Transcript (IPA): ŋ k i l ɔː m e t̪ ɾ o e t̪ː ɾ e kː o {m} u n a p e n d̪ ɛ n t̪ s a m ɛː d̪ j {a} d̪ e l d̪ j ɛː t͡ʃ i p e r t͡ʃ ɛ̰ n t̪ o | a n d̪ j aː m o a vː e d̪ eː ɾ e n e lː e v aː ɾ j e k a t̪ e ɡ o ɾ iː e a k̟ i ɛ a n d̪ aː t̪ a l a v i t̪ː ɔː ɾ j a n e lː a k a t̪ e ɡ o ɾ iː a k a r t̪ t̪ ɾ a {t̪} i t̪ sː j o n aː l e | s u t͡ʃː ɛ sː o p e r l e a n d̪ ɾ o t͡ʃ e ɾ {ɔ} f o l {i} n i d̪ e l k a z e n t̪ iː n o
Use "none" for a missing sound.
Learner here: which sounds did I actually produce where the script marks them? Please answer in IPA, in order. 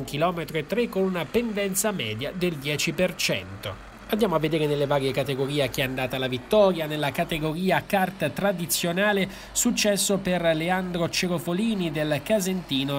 n, a, d̪, o, iː

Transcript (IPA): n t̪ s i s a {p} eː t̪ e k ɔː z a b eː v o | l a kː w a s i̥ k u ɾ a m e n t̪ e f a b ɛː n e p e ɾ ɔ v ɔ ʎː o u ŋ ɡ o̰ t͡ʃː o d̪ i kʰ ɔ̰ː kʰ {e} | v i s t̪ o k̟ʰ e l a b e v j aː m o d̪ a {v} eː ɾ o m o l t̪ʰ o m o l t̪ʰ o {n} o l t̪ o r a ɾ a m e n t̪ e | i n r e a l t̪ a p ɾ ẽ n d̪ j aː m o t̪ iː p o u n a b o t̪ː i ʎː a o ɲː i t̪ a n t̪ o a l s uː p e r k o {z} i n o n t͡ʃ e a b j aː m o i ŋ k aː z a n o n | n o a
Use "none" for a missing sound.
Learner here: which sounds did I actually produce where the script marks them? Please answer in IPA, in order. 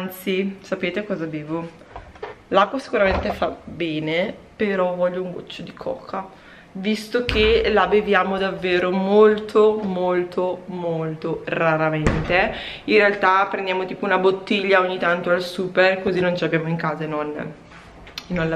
p, a, vː, m, z

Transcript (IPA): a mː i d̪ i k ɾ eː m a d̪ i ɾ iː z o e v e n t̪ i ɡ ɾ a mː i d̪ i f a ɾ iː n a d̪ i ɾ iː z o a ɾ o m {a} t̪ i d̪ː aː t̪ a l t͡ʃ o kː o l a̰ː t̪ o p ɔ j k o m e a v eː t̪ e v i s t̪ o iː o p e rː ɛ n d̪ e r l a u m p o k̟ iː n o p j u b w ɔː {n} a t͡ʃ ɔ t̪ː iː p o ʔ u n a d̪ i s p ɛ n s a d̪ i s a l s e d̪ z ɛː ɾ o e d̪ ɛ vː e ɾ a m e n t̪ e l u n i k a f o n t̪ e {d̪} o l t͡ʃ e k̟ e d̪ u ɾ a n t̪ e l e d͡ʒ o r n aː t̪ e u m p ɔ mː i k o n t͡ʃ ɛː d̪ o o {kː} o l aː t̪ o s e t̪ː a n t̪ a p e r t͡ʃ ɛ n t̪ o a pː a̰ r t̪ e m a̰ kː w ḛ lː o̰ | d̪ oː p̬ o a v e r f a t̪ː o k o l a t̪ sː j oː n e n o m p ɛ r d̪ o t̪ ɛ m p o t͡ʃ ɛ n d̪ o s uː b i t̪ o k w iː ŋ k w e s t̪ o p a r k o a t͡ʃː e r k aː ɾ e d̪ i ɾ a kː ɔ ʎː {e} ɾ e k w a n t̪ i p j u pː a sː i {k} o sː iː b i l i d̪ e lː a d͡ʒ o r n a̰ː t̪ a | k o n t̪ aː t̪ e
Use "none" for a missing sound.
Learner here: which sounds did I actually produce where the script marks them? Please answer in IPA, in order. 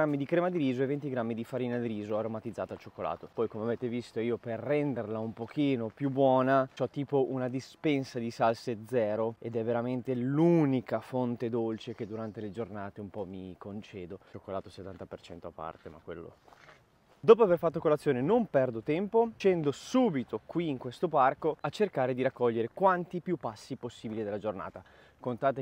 a, n, d̪, kː, e, p

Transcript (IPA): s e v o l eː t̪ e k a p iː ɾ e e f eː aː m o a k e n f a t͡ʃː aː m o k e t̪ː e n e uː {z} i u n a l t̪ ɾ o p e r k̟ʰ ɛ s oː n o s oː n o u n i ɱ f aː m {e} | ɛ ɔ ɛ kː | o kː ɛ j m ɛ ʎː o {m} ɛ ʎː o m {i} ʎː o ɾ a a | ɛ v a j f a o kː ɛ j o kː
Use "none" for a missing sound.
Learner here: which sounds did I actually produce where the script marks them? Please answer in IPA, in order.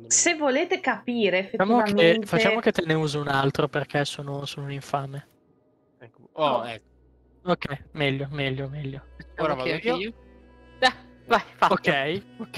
z, e, m, ɛ

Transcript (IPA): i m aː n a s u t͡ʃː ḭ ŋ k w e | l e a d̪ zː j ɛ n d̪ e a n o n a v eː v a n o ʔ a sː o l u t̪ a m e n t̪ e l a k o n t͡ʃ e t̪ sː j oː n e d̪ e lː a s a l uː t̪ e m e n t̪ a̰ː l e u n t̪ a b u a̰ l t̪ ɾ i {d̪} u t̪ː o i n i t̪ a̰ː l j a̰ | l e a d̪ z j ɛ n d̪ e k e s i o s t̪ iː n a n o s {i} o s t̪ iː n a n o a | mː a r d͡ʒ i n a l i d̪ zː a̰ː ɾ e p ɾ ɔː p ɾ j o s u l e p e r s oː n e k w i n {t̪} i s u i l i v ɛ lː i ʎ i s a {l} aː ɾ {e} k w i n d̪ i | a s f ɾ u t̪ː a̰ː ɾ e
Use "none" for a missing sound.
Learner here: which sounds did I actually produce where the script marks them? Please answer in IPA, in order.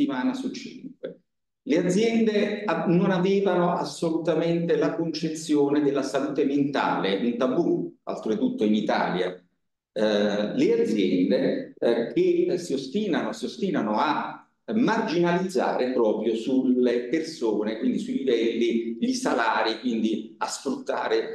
t̪, i, d̪, l, i

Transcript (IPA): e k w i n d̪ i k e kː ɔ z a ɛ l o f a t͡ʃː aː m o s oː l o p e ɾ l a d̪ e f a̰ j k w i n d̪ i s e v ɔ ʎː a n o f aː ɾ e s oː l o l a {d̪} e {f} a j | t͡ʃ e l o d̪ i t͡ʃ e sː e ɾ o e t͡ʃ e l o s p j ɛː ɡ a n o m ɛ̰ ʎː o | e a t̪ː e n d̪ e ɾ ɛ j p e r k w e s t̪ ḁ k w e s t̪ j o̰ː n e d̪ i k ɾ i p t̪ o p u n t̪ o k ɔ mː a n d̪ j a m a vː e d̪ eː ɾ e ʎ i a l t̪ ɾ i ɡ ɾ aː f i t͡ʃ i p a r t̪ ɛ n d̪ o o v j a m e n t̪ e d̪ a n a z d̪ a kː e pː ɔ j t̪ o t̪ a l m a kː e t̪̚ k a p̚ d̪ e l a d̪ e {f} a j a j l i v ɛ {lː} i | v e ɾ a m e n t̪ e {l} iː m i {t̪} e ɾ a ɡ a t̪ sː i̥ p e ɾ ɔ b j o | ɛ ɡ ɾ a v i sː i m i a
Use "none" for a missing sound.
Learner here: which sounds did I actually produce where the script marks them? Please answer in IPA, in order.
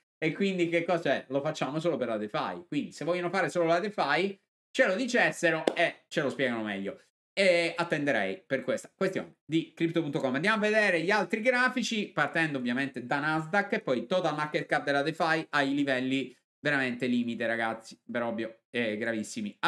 d̪, f, f, lː, l, t̪

